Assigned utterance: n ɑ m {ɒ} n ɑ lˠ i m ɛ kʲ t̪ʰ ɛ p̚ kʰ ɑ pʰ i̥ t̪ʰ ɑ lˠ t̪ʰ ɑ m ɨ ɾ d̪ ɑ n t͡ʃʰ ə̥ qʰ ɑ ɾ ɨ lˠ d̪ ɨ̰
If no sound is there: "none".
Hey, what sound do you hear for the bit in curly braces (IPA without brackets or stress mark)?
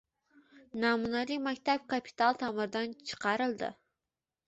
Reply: u